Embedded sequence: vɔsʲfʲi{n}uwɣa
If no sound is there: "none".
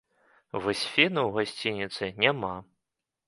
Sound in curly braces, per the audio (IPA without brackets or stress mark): n